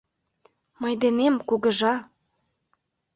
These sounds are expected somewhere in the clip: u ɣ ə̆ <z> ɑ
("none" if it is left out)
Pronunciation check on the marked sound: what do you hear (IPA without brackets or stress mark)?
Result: ʒ